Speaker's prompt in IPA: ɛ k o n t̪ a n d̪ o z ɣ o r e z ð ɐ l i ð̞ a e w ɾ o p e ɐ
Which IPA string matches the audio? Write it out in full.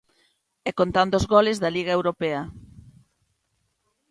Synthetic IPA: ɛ k o n t̪ a n d̪ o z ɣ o l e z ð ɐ l i ɣ̞ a e w ɾ o p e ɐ